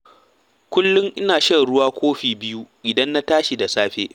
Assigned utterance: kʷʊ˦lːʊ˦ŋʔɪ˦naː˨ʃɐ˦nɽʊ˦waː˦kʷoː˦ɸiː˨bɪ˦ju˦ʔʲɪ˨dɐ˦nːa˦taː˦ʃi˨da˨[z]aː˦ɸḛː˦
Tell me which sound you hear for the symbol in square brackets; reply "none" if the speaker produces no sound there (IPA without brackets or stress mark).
s